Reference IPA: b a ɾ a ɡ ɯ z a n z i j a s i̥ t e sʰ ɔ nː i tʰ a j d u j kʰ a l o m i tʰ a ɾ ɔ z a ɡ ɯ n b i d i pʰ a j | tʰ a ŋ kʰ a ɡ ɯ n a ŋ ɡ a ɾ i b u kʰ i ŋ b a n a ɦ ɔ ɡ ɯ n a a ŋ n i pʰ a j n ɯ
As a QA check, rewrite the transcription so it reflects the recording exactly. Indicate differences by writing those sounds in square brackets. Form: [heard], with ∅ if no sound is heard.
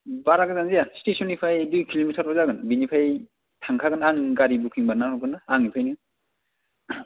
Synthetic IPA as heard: b a ɾ a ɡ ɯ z a n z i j a s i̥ t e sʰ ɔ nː i [pʰ] a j d u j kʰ [i] l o m i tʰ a ɾ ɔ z a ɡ ɯ n b i [n] i pʰ a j | tʰ a ŋ kʰ a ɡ ɯ n a ŋ ɡ a ɾ i b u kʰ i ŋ b a n a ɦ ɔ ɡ ɯ n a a ŋ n i pʰ a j n ɯ